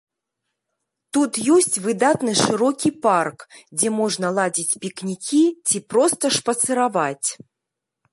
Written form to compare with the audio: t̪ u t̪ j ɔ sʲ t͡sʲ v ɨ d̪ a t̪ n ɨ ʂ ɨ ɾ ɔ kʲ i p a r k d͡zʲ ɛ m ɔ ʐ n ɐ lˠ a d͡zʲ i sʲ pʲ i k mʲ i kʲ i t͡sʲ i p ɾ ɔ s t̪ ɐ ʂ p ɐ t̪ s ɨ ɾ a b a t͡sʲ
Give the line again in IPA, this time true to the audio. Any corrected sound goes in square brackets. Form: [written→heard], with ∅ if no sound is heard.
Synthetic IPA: t̪ u t̪ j ɔ sʲ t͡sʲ v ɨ d̪ a t̪ n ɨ ʂ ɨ ɾ ɔ kʲ i p a r k d͡zʲ ɛ m ɔ ʐ n ɐ lˠ a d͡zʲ i [sʲ→t͡sʲ] pʲ i k [mʲ→nʲ] i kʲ i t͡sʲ i p ɾ ɔ s t̪ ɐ ʂ p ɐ t̪ s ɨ ɾ a [b→v] a t͡sʲ